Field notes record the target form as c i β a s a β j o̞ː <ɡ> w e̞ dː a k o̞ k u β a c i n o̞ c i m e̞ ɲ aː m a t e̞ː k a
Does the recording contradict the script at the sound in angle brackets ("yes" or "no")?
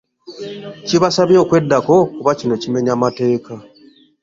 yes